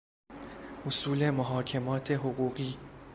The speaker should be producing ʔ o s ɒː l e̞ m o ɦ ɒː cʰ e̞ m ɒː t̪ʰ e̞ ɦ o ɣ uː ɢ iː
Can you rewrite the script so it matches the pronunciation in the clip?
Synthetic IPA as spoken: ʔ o s uː l e̞ m o ɦ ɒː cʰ e̞ m ɒː t̪ʰ e̞ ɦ o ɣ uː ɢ iː